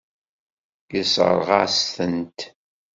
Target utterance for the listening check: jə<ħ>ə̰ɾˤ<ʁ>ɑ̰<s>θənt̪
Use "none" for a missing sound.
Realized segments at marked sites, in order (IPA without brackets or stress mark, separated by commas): s, ʁ, s